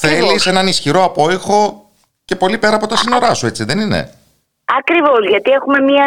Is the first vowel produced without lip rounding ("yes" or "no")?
yes